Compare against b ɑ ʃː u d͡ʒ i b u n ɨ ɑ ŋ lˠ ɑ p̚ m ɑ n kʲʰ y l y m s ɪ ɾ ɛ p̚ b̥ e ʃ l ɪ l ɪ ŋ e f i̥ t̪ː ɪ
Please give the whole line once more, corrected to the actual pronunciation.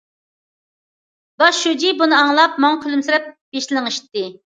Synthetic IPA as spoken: b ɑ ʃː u d͡ʒ i b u n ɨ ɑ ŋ lˠ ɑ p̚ m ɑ ŋ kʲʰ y l y m s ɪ ɾ ɛ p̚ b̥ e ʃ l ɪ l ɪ ŋ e ʃ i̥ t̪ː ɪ